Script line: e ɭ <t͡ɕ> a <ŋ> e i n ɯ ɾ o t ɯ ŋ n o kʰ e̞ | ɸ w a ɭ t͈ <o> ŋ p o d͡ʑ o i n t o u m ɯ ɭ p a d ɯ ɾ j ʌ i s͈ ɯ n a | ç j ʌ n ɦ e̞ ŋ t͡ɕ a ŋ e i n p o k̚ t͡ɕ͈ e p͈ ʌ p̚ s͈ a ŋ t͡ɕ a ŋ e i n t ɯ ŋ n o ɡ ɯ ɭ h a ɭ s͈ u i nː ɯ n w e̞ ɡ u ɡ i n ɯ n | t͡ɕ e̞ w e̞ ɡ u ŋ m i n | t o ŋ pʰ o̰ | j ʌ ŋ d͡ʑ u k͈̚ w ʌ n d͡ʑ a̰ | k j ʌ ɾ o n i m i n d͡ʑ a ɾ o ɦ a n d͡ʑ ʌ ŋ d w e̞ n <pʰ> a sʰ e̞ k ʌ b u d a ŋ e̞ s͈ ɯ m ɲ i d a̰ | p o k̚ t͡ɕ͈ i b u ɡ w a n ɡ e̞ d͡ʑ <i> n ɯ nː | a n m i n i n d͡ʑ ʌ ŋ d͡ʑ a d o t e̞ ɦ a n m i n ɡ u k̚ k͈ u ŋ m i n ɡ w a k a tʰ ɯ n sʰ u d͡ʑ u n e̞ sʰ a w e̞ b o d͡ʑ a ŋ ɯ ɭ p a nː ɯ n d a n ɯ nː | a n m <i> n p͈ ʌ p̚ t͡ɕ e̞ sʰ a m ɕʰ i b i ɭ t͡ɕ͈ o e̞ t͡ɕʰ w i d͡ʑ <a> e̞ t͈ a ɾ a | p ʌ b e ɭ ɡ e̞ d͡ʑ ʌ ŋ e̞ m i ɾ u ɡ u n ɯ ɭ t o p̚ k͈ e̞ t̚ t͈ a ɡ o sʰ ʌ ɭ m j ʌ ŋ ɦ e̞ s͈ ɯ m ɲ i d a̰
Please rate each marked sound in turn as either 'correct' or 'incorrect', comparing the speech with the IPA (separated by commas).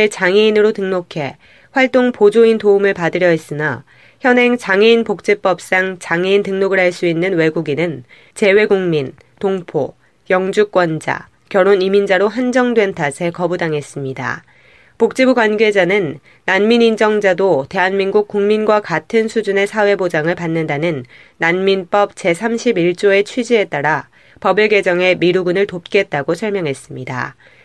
correct, correct, correct, incorrect, incorrect, correct, incorrect